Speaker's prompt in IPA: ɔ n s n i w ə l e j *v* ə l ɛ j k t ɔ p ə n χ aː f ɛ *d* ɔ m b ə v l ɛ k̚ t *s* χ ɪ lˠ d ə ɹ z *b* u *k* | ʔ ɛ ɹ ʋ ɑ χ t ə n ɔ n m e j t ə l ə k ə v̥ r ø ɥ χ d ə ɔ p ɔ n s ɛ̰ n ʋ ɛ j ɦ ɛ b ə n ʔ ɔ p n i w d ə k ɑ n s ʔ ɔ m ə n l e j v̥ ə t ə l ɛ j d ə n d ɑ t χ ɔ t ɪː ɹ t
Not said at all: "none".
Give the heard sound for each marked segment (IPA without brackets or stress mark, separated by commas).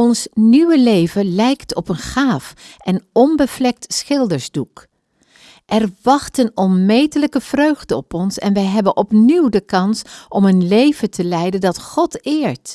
v, n, s, d, k